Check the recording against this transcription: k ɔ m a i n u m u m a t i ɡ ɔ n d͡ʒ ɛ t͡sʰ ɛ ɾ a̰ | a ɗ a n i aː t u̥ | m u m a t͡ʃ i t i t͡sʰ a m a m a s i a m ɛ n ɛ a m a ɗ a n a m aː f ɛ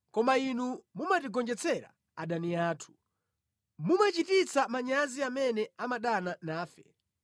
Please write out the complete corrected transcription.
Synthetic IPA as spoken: k ɔ m a i n u m u m a t i ɡ ɔ n d͡ʒ ɛ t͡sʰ ɛ ɾ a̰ | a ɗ a n i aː tʰ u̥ | m u m a t͡ʃ i t i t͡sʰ a m a ɲ a z i a m ɛ n ɛ a m a ɗ a n a n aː f ɛ